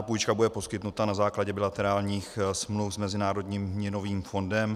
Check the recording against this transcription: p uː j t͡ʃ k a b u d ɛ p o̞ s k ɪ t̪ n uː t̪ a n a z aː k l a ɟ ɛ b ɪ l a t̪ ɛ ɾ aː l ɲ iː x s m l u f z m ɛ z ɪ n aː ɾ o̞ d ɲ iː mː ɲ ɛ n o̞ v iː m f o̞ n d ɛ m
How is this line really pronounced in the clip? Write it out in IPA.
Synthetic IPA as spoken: p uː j t͡ʃ k a b u d ɛ p o̞ s k ɪ t̪ n u t̪ a n a z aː k l a ɟ ɛ b ɪ l a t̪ ɛ ɾ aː l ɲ iː x s m l u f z m ɛ z ɪ n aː ɾ o̞ d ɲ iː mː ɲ ɛ n o̞ v iː m f o̞ n d ɛ m